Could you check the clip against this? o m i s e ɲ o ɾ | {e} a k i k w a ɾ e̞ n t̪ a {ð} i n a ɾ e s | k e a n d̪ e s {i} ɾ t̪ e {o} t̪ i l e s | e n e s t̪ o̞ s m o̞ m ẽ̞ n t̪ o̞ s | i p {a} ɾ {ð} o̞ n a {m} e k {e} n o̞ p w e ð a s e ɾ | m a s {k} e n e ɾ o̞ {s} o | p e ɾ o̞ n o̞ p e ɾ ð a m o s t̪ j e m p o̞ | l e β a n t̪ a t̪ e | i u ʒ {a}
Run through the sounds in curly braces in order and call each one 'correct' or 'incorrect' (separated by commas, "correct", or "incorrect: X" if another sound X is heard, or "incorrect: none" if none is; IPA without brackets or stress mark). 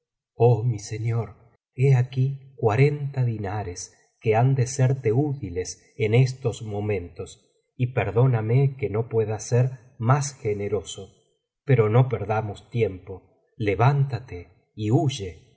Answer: correct, correct, incorrect: e, incorrect: u, incorrect: e, correct, correct, correct, incorrect: x, correct, incorrect: e